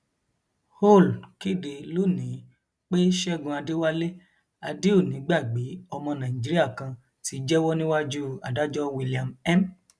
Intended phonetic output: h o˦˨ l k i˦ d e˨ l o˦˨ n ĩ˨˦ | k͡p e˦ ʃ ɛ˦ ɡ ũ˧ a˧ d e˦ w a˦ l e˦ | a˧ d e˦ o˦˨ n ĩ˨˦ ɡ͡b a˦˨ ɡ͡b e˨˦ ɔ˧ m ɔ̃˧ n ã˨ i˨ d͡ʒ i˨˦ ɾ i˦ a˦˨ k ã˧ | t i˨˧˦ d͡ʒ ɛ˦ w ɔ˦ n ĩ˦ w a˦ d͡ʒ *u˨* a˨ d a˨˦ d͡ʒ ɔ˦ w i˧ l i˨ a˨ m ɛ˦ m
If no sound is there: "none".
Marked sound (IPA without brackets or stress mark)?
u˦